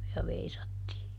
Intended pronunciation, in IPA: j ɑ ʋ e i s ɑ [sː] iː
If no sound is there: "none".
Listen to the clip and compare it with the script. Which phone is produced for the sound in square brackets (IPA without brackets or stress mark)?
tː